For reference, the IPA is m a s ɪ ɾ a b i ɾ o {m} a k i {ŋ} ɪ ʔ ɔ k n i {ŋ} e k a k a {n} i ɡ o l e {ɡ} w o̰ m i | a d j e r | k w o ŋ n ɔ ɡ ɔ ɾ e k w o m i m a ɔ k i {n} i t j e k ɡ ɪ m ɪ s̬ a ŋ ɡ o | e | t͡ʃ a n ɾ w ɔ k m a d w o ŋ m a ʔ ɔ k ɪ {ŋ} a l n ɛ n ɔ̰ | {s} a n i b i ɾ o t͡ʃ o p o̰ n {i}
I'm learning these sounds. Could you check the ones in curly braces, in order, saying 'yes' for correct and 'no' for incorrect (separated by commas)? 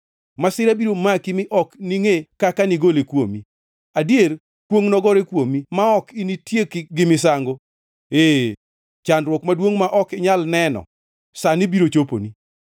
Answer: yes, no, yes, yes, no, yes, no, yes, yes